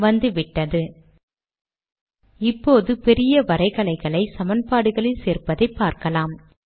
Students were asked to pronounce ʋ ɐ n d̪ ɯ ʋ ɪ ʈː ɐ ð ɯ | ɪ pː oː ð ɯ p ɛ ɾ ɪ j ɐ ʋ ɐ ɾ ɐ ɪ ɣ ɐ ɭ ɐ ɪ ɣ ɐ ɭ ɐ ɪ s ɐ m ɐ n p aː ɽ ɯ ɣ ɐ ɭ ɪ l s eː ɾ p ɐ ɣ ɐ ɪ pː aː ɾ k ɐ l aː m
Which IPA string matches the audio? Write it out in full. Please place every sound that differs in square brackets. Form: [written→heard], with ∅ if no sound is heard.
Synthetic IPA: ʋ ɐ n d̪ ɯ ʋ ɪ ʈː ɐ ð ɯ | ɪ pː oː ð ɯ p ɛ ɾ ɪ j ɐ ʋ ɐ ɾ ɐ ɪ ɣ ɐ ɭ ɐ ɪ ɣ ɐ ɭ ɐ ɪ s ɐ m ɐ n p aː ɽ ɯ ɣ ɐ ɭ ɪ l s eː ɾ p ɐ [ɣ→ð] ɐ ɪ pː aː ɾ k ɐ l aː m